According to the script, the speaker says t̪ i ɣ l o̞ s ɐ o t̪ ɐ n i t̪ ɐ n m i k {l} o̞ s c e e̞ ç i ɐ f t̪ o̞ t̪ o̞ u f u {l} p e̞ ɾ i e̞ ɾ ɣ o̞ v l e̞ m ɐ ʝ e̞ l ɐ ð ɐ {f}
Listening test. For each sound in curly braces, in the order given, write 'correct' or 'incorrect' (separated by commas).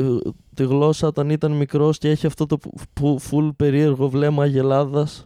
incorrect, correct, incorrect